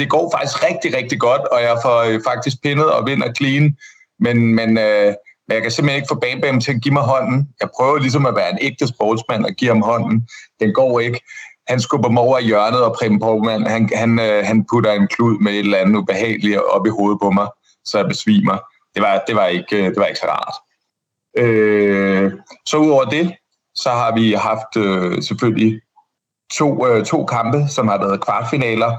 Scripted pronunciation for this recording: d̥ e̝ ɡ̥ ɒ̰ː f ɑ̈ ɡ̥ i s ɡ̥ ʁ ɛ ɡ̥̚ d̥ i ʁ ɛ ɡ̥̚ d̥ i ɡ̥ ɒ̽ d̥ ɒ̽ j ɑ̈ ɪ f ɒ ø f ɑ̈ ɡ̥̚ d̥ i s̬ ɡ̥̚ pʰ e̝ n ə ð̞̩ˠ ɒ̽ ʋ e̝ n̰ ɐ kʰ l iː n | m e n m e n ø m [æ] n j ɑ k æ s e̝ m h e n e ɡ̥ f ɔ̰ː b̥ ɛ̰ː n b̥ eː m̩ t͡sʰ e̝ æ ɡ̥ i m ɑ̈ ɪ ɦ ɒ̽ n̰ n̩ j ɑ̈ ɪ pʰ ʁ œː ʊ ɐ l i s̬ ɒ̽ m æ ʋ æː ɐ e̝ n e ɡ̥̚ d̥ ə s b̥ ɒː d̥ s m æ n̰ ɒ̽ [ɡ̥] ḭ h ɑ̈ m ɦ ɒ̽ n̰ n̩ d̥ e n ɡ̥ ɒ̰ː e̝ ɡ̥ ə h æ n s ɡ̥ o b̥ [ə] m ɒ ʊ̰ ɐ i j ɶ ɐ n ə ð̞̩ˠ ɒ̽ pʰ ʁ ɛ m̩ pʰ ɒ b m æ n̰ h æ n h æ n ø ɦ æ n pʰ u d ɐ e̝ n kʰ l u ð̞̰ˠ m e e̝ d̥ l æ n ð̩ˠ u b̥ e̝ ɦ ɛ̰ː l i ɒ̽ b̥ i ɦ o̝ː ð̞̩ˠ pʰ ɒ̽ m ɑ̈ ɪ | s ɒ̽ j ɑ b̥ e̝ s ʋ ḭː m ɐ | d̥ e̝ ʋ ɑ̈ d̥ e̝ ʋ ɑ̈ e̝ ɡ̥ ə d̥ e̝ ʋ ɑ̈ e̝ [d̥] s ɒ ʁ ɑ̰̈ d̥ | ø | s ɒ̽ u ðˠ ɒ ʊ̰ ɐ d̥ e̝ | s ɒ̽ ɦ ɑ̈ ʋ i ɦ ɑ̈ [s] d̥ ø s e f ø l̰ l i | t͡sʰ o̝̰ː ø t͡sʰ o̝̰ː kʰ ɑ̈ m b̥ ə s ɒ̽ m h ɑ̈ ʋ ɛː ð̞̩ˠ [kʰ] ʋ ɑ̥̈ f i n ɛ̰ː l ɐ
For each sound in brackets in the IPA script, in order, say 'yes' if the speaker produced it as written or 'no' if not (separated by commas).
no, yes, no, no, no, yes